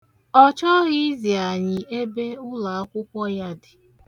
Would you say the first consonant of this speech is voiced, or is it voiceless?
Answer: voiceless